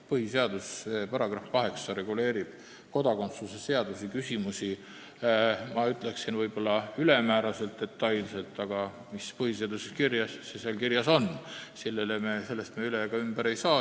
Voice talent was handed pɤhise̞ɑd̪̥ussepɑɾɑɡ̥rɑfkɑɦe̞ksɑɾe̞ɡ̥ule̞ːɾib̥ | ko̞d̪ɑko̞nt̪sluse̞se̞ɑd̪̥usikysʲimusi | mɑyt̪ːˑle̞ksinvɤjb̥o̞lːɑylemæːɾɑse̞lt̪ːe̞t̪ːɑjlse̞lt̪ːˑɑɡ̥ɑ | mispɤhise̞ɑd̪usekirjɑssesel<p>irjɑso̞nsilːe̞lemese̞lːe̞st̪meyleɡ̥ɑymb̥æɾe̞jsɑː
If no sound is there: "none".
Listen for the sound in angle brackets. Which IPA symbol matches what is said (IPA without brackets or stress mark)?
k